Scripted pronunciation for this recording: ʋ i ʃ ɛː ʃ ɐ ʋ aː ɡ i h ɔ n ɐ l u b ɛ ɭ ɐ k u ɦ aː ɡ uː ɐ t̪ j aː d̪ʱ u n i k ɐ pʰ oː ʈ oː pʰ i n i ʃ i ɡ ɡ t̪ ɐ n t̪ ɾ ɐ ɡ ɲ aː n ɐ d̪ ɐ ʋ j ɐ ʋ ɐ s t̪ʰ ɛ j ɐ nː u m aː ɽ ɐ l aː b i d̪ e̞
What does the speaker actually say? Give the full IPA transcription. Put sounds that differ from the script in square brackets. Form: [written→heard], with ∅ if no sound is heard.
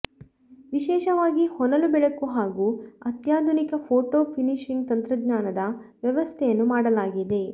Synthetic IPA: ʋ i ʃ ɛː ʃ ɐ ʋ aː ɡ i h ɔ n ɐ l u b ɛ ɭ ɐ k u ɦ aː ɡ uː ɐ t̪ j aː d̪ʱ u n i k ɐ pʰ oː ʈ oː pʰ i n i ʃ i [ɡ→ŋ] ɡ t̪ ɐ n t̪ ɾ ɐ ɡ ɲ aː n ɐ d̪ ɐ ʋ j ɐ ʋ ɐ s t̪ʰ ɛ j ɐ nː u m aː ɽ ɐ l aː [b→ɡ] i d̪ e̞